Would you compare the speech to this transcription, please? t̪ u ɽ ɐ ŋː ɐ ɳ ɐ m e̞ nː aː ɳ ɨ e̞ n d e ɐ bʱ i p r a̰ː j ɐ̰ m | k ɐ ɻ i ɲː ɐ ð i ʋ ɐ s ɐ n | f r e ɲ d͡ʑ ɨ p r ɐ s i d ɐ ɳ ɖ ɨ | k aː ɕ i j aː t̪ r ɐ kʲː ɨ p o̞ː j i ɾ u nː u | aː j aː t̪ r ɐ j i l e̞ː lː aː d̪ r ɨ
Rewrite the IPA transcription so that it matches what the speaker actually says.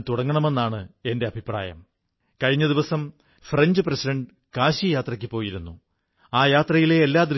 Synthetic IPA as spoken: t̪ u ɽ ɐ ŋː ɐ ɳ ɐ m e̞ nː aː ɳ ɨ e̞ n d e ɐ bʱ i p r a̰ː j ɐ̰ m | k ɐ ɻ i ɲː ɐ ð i ʋ ɐ s ɐ m | f r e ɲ d͡ʑ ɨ p r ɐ s i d ɐ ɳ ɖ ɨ | k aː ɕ i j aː t̪ r ɐ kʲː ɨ p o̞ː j i ɾ u nː u | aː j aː t̪ r ɐ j i l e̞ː lː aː d̪ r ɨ